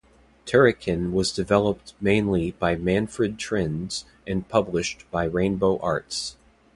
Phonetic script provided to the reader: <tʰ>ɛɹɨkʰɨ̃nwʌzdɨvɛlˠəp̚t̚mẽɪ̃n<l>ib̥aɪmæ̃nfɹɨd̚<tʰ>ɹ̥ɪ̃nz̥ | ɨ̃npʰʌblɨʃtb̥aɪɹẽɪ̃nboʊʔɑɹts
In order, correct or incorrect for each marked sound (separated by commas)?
correct, correct, correct